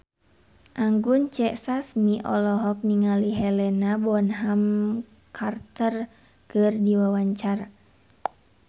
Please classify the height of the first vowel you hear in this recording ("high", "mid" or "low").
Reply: low